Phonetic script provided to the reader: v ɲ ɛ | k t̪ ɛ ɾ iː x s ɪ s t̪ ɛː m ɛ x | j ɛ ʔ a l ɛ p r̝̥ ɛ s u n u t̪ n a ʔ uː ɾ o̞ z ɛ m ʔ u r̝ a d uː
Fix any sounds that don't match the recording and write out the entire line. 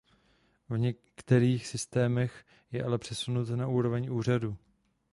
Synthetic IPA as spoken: v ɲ ɛ | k t̪ ɛ ɾ iː x s ɪ s t̪ ɛː m ɛ x | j ɛ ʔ a l ɛ p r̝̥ ɛ s u n u t̪ n a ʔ uː ɾ o̞ v ɛ ɲ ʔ uː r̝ a d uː